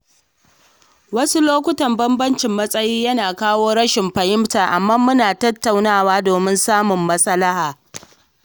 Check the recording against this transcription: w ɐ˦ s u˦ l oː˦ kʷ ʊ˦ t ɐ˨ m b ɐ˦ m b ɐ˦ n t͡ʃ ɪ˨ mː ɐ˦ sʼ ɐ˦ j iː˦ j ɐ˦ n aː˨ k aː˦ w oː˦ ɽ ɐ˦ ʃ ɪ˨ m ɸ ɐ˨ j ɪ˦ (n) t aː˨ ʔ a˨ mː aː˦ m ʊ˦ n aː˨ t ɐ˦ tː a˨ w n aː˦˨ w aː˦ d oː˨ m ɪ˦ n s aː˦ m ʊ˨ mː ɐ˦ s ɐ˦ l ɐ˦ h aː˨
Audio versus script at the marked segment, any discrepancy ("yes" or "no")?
yes